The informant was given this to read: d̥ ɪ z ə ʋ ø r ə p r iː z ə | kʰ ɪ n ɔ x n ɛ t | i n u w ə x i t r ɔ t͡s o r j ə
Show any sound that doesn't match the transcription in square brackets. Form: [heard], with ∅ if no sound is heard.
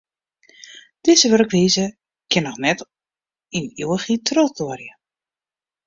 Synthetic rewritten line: d̥ ɪ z ə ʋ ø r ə [k] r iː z ə | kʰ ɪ n ɔ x n ɛ t | i n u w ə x i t r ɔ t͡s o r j ə